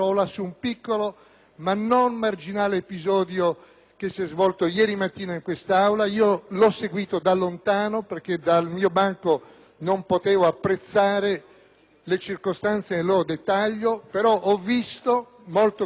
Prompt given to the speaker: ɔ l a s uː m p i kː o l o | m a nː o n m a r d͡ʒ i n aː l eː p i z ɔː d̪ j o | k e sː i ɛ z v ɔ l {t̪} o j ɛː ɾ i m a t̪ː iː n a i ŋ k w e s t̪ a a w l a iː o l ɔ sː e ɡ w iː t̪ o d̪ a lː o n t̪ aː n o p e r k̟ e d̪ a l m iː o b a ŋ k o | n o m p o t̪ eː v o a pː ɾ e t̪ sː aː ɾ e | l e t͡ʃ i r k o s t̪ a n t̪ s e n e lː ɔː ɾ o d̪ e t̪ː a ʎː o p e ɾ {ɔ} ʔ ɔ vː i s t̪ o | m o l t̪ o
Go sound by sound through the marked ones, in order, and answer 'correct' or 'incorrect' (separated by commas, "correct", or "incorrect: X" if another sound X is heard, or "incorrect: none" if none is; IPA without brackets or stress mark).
correct, correct